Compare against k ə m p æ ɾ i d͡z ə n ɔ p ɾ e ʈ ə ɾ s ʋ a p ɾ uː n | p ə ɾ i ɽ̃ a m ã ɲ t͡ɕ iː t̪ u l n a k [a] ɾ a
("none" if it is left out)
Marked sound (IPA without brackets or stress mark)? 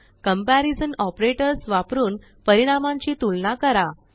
ə